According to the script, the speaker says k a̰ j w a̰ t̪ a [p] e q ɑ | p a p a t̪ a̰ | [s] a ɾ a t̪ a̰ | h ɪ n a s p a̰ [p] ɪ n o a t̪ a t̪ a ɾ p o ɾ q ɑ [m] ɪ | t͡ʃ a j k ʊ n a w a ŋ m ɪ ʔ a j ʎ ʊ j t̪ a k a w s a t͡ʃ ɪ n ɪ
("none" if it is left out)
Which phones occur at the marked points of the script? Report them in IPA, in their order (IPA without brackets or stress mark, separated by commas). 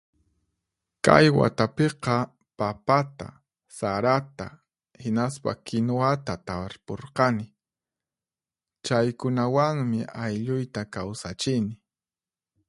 p, s, k, n